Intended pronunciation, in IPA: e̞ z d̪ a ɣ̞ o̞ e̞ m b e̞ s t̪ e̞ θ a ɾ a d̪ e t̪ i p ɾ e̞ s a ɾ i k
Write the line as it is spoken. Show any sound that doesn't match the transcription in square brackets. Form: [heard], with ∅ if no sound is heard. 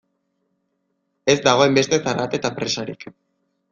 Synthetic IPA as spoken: e̞ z d̪ a ɣ̞ o̞ e̞ m b e̞ s t̪ e̞ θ a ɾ a [t̪] e t̪ [a] p ɾ e̞ s a ɾ i k